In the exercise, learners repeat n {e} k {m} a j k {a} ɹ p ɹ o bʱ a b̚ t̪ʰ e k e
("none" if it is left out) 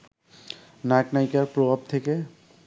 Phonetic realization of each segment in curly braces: a, n, a

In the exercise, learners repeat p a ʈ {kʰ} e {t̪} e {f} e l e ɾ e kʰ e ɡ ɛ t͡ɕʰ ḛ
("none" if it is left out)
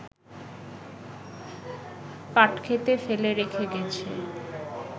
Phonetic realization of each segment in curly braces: kʰ, t̪, f

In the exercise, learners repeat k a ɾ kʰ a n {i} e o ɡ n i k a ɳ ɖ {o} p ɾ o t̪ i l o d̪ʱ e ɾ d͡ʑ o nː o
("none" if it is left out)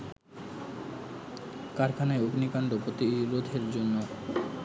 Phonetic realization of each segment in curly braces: a, o

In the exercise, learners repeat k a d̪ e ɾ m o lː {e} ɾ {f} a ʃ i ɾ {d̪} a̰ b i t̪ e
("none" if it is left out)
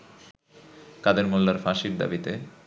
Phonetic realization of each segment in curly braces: a, f, d̪

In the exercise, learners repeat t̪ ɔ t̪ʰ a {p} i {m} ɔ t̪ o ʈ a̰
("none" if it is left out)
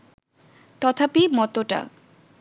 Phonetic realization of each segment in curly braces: p, m

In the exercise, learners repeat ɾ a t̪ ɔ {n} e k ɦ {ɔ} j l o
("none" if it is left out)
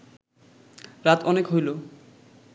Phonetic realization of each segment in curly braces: n, o

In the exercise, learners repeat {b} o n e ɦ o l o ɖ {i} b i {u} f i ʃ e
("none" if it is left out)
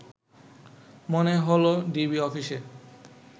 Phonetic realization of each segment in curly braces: m, i, ɔ

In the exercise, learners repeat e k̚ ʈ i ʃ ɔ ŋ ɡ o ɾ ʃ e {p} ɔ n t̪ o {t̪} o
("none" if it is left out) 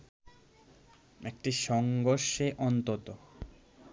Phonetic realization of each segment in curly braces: ʔ, t̪

